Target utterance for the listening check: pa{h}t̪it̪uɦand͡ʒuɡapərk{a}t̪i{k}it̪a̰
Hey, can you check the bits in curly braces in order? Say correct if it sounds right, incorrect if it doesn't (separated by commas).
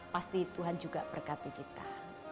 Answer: incorrect, correct, correct